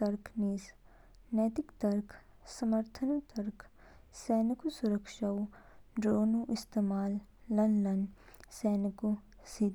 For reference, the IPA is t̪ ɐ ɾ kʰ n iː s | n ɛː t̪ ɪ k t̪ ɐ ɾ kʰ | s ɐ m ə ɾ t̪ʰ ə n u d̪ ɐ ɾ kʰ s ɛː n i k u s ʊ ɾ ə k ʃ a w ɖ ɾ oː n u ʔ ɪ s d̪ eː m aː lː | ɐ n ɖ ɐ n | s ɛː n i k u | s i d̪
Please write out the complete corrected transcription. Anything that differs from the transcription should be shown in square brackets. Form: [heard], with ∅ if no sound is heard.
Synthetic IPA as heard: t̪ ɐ ɾ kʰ n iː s | n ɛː t̪ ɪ k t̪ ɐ ɾ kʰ | s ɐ m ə ɾ t̪ʰ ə n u [t̪] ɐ ɾ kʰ s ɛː n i k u s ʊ ɾ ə k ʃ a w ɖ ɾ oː n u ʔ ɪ s [t̪] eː m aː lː | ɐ n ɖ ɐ n | s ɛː n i k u | s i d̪